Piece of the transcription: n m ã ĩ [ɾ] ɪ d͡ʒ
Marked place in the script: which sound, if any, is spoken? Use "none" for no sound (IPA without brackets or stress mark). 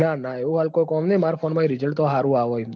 ɾ